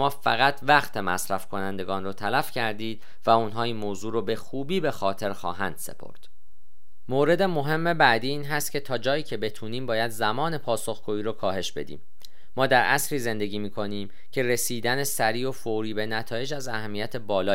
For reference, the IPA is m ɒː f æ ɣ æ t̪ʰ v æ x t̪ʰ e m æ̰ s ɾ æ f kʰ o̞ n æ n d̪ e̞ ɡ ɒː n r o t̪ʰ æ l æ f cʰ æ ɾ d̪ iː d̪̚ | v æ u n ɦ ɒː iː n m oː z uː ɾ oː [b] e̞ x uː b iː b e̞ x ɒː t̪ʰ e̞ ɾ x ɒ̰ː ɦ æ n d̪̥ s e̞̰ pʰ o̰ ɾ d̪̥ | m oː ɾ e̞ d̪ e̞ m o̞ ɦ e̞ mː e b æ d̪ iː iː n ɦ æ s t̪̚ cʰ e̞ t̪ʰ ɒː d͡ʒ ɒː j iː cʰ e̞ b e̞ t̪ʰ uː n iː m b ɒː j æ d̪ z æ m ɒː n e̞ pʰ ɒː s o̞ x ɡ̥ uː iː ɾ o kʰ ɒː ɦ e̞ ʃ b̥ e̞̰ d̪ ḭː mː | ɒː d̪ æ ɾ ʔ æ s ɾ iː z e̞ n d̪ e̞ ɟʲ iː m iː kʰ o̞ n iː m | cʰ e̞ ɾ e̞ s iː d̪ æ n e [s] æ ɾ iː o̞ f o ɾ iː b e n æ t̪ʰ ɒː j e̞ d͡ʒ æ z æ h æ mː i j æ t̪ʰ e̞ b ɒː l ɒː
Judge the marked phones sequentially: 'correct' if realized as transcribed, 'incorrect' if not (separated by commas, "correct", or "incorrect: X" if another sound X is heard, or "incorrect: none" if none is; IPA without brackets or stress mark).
correct, correct